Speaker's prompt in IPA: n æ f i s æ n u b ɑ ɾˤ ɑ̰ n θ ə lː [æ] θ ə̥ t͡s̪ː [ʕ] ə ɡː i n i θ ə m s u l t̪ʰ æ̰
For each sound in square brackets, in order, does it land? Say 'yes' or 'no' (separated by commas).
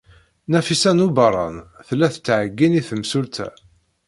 yes, yes